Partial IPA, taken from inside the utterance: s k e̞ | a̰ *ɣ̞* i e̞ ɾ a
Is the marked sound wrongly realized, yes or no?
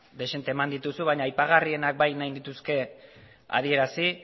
yes